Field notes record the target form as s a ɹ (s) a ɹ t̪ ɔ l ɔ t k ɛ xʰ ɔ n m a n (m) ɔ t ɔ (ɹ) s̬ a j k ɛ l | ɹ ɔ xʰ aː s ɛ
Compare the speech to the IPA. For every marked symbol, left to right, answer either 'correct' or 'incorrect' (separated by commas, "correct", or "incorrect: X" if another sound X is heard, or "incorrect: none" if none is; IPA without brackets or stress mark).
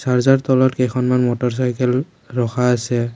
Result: incorrect: z, correct, correct